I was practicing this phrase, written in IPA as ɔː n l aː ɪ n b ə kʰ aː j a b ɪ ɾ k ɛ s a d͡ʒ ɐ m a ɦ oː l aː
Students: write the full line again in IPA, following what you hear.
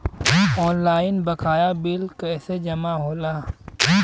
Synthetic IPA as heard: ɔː n l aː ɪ n b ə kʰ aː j a b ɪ l k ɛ s e d͡ʒ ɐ m a ɦ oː l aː